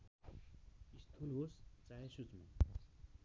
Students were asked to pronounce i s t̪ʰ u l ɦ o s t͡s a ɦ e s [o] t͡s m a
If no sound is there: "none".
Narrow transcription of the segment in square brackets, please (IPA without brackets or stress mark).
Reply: u